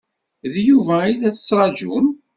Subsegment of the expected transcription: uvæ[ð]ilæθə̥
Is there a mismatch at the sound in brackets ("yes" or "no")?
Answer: yes